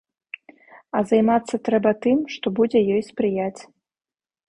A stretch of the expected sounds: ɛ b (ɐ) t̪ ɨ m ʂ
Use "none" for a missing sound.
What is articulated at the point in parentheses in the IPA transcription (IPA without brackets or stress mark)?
ɐ